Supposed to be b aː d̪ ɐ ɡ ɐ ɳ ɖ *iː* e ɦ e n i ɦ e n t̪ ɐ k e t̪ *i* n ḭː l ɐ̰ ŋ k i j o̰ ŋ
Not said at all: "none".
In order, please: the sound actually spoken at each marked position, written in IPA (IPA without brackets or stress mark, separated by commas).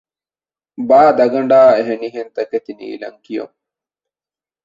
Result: aː, i